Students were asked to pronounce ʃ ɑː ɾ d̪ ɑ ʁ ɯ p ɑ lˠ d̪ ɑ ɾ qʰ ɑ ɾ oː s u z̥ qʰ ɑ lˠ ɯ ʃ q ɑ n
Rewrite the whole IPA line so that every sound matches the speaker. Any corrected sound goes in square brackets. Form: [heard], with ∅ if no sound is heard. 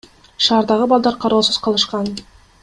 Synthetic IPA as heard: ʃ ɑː ɾ d̪ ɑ ʁ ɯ [b] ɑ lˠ d̪ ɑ ɾ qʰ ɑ ɾ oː s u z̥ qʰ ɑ lˠ ɯ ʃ q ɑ n